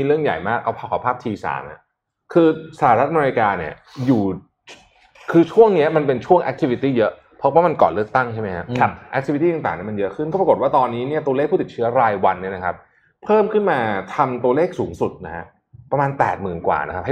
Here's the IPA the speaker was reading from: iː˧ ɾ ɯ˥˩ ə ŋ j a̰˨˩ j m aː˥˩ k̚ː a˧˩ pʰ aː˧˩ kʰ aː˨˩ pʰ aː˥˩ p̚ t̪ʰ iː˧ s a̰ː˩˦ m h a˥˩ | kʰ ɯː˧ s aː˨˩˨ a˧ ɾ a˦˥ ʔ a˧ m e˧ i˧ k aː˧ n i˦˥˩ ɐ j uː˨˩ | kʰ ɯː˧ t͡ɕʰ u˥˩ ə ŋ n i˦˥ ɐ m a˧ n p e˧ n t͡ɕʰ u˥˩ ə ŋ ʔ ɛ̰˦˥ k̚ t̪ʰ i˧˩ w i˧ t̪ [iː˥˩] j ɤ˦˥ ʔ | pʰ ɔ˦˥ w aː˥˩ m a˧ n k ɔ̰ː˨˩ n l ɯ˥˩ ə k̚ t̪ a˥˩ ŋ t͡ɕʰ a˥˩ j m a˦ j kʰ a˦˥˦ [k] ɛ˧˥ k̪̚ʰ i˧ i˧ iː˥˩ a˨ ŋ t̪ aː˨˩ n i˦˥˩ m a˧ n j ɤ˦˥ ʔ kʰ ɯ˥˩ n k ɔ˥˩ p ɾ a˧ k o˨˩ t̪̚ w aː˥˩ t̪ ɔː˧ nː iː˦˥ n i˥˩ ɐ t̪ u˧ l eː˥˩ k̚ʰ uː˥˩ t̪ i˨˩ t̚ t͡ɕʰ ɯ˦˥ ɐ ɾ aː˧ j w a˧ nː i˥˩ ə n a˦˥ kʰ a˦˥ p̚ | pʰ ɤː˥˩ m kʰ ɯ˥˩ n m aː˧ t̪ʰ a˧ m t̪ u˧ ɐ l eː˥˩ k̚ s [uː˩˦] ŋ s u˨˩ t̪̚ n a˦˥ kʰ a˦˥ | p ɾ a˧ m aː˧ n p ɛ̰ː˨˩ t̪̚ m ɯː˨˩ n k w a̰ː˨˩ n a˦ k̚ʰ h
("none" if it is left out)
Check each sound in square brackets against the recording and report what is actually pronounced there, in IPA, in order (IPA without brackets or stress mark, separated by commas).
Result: iː˥˩, ʔ, uː˩˦